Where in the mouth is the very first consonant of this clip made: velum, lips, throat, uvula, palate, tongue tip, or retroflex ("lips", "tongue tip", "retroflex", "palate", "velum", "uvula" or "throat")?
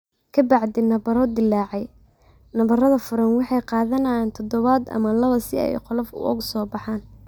velum